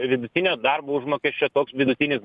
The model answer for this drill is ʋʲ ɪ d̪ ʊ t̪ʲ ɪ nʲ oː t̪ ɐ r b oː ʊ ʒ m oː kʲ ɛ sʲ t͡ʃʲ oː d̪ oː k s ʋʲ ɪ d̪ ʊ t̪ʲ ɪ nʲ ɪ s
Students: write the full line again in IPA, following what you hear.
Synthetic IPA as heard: ʋʲ ɪ d̪ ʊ t̪ʲ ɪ nʲ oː d̪ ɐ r b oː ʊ ʒ m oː kʲ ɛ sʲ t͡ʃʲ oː t̪ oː k s ʋʲ ɪ d̪ ʊ t̪ʲ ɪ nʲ ɪ s